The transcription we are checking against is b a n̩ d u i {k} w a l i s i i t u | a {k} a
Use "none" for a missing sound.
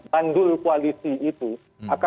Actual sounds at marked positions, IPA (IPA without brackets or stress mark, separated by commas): k, k